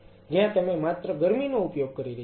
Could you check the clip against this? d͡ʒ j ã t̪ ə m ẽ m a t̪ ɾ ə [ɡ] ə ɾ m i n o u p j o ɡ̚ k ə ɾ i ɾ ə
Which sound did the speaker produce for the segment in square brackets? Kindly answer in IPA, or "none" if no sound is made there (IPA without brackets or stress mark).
ɡ